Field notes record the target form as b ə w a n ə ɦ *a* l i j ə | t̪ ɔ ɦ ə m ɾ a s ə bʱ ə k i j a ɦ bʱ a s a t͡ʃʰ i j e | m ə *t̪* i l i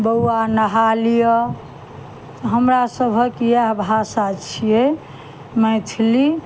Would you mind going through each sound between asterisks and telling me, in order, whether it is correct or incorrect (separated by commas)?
correct, incorrect